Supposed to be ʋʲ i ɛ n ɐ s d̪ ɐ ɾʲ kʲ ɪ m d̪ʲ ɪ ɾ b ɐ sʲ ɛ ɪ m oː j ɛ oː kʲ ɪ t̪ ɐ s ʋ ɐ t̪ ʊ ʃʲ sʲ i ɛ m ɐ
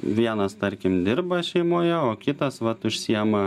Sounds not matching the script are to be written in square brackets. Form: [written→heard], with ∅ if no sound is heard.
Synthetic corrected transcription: ʋʲ i ɛ n ɐ s [d̪→t̪] ɐ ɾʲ kʲ ɪ m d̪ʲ ɪ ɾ b ɐ [sʲ→ʃʲ] ɛ ɪ m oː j ɛ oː kʲ ɪ t̪ ɐ s ʋ ɐ t̪ ʊ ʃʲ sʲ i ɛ m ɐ